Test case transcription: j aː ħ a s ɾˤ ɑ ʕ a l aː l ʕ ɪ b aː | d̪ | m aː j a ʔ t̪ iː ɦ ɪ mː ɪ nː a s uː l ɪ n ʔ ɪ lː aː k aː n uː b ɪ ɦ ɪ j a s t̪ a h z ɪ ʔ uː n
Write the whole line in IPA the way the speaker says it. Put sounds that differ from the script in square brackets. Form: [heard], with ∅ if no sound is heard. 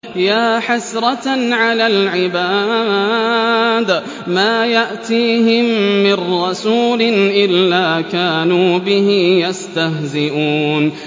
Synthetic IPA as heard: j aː ħ a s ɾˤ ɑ ʕ a l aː l ʕ ɪ b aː | d̪ | m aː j a ʔ t̪ iː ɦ ɪ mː ɪ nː [ɑ] s uː l ɪ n ʔ ɪ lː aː k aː n uː b ɪ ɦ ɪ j a s t̪ a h z ɪ ʔ uː n